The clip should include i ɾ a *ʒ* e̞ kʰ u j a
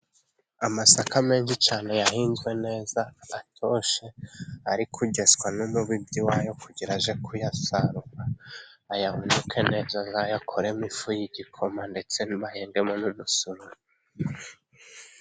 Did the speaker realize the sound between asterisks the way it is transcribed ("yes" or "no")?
yes